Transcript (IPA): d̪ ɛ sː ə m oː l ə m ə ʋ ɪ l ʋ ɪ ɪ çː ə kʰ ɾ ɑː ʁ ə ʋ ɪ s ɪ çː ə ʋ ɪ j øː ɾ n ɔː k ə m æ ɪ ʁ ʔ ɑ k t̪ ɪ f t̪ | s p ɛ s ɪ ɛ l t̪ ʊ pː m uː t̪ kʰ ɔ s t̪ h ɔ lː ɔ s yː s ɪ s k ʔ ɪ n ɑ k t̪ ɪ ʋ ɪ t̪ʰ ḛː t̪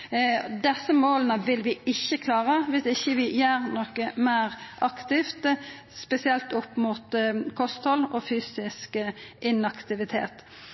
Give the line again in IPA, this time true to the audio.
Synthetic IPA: d̪ ɛ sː ə m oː l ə n ə ʋ ɪ l ʋ ɪ ɪ çː ə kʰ l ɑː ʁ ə ʋ ɪ s ɪ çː ə ʋ ɪ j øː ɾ n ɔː k ə m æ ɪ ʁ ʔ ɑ k t̪ ɪ f t̪ | s p ɛ s ɪ ɛ l t̪ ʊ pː m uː t̪ kʰ ɔ s t̪ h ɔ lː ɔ f yː s ɪ s k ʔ ɪ n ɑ k t̪ ɪ ʋ ɪ t̪ʰ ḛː t̪